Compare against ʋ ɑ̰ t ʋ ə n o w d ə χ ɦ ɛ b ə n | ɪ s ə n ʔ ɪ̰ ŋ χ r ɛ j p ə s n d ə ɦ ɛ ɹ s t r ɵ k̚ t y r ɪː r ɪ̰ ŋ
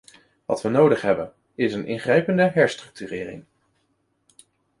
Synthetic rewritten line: ʋ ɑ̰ t ʋ ə n o w d ə χ ɦ ɛ b ə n | ɪ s ə n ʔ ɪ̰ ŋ χ r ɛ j p ə n d ə ɦ ɛ ɹ s t r ɵ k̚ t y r ɪː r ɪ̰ ŋ